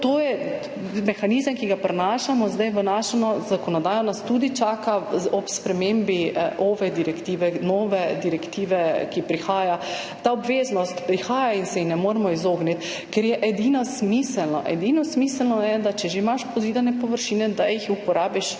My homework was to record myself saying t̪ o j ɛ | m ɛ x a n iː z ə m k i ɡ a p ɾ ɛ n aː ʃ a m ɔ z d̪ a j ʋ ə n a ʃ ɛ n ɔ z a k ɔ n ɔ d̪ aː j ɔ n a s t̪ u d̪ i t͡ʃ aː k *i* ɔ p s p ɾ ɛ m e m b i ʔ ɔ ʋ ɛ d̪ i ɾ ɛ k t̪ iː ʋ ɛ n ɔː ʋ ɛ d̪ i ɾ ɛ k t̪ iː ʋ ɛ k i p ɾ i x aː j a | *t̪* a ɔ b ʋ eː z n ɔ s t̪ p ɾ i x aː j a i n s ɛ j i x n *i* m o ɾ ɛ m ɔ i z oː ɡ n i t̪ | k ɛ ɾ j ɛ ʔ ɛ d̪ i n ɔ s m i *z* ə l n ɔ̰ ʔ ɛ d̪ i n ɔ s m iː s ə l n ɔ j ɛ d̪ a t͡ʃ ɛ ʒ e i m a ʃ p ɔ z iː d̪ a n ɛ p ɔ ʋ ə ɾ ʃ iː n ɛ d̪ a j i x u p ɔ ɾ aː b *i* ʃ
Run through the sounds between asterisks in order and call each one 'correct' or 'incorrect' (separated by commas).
incorrect, correct, incorrect, incorrect, correct